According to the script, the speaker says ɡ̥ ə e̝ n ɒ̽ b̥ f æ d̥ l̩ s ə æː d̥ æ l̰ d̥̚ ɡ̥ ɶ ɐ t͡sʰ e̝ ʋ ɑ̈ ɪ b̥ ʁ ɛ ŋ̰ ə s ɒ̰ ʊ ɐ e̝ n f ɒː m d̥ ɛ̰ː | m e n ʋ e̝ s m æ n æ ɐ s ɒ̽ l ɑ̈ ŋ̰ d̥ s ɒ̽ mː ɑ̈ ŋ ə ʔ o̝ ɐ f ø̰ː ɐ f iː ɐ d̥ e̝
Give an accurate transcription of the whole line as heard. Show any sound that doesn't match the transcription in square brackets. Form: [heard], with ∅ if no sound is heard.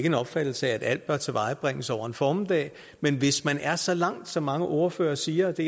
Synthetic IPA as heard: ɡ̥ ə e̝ n ɒ̽ b̥ f æ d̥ l̩ s ə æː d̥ æ l̰ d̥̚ [b̥] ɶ ɐ t͡sʰ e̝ ʋ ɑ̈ ɪ b̥ ʁ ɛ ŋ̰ ə s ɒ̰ ʊ ɐ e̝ n f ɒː m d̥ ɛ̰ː | m e n ʋ e̝ s m æ n æ ɐ s ɒ̽ l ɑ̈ ŋ̰ d̥ s ɒ̽ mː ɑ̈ ŋ ə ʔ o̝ ɐ f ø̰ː ɐ [s] iː ɐ d̥ e̝